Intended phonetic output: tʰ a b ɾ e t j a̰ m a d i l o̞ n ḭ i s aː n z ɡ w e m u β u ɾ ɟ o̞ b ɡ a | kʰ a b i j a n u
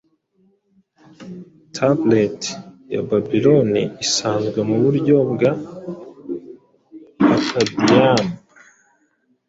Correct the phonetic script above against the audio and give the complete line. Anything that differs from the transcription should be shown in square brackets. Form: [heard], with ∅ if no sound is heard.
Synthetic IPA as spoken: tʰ a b [l] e t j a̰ [b] a [b] i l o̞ n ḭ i s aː n z ɡ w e m u β u ɾ ɟ o̞ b ɡ a | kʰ a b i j a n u